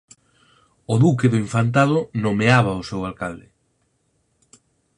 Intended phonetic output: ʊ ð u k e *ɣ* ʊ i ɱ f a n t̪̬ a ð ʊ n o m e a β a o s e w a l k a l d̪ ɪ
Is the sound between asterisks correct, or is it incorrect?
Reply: incorrect